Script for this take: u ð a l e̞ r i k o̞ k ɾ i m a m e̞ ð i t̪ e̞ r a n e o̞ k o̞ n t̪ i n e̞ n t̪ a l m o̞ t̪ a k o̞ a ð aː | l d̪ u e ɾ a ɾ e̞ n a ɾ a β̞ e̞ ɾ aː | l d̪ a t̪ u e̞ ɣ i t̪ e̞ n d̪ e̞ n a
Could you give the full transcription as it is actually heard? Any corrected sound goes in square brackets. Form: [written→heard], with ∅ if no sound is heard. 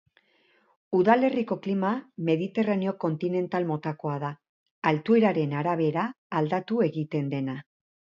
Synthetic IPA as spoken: u ð a l e̞ r i k o̞ k [ɾ→l] i m a m e̞ ð i t̪ e̞ r a n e o̞ k o̞ n t̪ i n e̞ n t̪ a l m o̞ t̪ a k o̞ a ð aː | l [d̪→t̪] u e ɾ a ɾ e̞ n a ɾ a β̞ e̞ ɾ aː | l d̪ a t̪ u e̞ ɣ i t̪ e̞ n d̪ e̞ n a